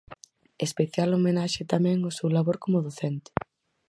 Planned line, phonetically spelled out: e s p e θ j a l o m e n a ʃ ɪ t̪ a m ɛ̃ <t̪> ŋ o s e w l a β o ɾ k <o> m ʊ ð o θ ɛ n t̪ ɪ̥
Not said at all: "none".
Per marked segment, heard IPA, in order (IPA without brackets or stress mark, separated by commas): none, o